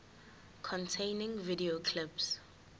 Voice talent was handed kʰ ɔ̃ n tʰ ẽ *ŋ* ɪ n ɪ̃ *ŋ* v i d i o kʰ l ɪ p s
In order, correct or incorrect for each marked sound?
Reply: incorrect: none, correct

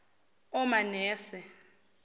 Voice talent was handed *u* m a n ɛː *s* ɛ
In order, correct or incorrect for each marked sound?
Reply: incorrect: ɔ, correct

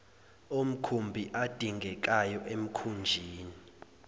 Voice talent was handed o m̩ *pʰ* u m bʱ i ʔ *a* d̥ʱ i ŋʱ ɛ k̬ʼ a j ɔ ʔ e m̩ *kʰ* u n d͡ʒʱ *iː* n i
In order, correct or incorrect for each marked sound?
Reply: incorrect: kʰ, correct, correct, correct

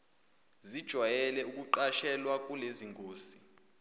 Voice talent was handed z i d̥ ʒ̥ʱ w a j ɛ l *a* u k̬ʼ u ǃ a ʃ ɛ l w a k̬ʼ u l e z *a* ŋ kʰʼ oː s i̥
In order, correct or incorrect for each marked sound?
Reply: incorrect: ɛ, incorrect: i

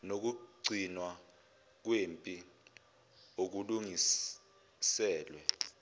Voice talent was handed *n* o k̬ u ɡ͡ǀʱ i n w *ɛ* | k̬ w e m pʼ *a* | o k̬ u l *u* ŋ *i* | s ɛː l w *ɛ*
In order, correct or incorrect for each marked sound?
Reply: correct, incorrect: a, incorrect: i, correct, correct, correct

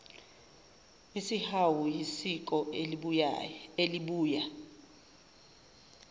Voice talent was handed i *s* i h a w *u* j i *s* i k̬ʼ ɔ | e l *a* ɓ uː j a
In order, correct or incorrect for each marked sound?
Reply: correct, correct, correct, incorrect: i

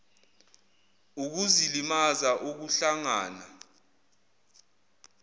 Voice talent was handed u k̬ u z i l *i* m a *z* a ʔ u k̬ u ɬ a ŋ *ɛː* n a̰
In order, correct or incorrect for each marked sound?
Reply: correct, correct, incorrect: aː

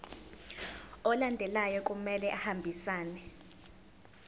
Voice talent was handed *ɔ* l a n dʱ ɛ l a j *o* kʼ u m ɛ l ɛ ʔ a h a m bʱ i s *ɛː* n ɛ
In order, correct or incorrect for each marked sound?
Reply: correct, incorrect: ɔ, incorrect: aː

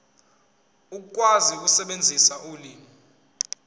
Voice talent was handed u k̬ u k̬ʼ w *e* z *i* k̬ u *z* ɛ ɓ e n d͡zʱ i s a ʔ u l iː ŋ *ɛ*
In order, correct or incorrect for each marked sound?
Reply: incorrect: a, correct, incorrect: s, incorrect: i

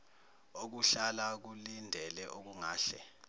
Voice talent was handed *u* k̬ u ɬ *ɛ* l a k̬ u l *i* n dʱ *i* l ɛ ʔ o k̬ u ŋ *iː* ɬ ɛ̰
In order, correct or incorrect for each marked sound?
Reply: incorrect: o, incorrect: a, correct, incorrect: ɛ, incorrect: aː

